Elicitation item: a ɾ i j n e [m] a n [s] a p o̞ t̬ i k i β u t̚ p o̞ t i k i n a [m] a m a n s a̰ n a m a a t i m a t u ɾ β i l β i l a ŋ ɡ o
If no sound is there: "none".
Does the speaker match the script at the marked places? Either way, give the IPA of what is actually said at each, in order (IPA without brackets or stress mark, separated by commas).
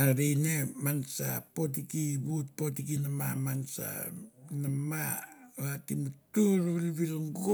m, s, m